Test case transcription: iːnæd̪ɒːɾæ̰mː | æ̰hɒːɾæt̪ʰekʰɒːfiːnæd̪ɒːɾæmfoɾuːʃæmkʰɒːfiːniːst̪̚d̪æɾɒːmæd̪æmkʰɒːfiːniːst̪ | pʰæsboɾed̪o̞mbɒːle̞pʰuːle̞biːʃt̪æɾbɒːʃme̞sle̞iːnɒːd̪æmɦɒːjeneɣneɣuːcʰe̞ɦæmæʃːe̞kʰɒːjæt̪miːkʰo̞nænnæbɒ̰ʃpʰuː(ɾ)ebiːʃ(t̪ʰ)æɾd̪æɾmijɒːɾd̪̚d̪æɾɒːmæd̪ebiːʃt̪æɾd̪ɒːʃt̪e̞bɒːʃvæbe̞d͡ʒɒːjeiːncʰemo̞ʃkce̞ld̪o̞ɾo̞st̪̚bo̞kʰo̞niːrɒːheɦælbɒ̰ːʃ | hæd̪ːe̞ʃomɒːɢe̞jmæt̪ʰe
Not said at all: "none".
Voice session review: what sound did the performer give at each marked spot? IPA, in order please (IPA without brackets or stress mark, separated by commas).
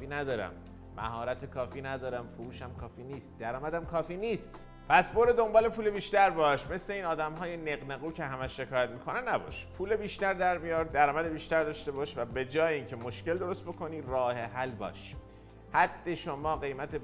l, t̪